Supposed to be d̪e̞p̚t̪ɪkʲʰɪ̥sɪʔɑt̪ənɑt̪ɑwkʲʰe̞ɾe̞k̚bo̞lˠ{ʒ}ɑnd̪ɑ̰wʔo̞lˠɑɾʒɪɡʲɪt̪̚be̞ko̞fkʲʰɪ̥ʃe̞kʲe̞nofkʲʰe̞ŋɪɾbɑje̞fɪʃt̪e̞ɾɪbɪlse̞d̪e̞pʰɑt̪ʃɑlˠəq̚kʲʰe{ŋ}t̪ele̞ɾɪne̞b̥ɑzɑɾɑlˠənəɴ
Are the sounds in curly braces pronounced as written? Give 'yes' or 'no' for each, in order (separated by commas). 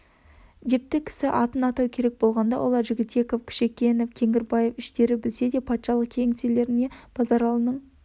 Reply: no, yes